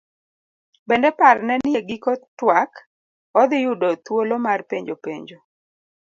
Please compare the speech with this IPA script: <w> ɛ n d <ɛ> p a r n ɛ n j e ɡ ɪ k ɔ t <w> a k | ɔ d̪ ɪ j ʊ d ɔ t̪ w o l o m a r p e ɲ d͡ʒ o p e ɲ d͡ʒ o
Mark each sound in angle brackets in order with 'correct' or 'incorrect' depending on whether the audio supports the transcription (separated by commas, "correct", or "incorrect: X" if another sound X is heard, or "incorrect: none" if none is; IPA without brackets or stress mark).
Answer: incorrect: b, correct, correct